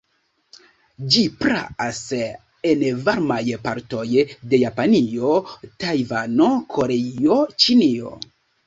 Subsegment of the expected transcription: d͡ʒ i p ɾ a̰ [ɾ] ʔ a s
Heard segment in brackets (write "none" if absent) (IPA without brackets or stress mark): none